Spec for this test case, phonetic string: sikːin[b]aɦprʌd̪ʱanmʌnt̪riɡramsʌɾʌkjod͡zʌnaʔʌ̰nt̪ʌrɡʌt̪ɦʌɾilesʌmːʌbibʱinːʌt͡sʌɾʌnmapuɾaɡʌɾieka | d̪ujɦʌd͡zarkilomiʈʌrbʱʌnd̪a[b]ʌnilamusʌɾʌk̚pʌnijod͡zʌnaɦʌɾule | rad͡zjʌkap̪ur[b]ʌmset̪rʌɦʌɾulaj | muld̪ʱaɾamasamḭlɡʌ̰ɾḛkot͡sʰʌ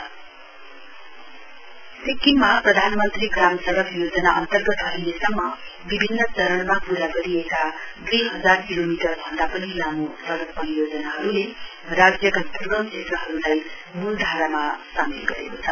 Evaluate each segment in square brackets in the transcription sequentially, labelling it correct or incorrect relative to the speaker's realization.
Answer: incorrect: m, incorrect: p, incorrect: ɡ

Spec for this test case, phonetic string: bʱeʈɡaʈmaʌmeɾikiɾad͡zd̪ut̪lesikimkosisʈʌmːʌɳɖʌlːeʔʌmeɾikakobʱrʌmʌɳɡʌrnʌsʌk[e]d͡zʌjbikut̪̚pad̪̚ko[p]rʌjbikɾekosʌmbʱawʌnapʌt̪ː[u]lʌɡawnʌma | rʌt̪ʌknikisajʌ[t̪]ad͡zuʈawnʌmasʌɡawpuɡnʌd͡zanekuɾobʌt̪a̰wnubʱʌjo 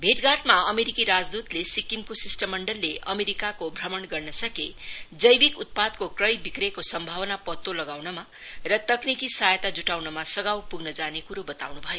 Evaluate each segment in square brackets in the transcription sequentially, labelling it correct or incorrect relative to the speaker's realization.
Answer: correct, incorrect: k, incorrect: o, correct

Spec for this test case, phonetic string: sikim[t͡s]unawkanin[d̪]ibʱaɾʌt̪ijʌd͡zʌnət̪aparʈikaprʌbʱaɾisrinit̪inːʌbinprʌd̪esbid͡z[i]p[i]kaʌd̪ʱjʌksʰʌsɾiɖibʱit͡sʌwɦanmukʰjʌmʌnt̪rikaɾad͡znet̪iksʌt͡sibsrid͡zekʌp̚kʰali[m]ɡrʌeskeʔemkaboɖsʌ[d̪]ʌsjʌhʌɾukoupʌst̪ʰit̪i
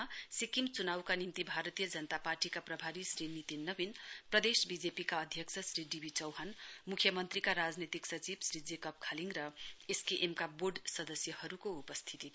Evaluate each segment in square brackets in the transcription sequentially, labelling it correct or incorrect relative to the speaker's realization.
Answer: correct, incorrect: t̪, incorrect: e, correct, incorrect: ŋ, correct

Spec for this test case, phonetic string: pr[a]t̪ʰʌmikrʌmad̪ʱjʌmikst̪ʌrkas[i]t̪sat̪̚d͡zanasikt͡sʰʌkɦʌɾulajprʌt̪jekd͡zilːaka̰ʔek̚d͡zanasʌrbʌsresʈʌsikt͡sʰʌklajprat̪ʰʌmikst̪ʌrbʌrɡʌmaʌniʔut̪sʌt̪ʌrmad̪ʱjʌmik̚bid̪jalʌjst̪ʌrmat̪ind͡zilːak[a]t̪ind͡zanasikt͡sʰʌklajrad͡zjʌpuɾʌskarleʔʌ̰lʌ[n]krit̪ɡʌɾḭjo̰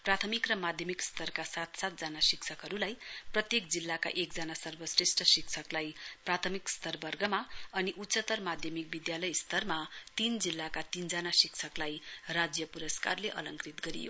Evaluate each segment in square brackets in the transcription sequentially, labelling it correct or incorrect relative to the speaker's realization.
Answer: correct, incorrect: a, correct, incorrect: ŋ

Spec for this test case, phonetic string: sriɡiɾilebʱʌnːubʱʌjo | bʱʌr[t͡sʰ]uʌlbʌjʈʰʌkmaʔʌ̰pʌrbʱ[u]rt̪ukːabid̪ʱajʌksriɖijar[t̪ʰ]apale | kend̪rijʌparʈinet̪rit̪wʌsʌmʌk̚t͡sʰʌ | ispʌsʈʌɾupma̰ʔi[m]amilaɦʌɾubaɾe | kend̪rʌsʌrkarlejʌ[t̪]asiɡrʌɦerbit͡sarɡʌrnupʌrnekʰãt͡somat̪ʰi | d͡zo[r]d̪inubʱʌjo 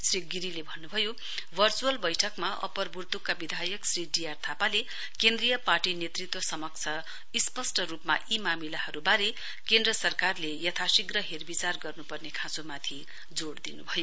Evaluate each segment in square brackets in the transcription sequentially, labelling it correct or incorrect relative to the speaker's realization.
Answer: incorrect: t͡s, correct, correct, correct, incorrect: t̪ʰ, incorrect: ɽ

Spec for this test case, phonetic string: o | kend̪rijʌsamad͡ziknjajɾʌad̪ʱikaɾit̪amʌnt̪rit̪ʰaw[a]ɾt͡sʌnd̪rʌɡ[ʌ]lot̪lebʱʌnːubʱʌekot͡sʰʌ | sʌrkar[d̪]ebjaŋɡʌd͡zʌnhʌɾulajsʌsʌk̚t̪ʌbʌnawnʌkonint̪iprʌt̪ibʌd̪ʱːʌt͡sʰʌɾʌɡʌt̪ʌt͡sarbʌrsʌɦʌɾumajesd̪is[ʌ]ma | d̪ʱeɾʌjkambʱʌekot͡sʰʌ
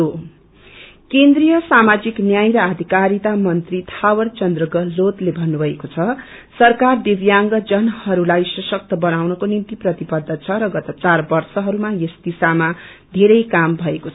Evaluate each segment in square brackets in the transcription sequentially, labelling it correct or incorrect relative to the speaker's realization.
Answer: incorrect: ʌ, correct, correct, incorrect: a

